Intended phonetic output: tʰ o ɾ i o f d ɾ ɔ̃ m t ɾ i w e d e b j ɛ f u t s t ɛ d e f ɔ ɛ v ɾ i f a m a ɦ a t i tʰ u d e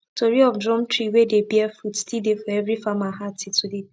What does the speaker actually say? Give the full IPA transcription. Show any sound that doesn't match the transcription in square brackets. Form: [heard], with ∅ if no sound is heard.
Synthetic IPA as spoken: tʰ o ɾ i [ɔ] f d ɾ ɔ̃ m t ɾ i w e d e b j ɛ f u t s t [i] d e f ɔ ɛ v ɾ i f a m a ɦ a t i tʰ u d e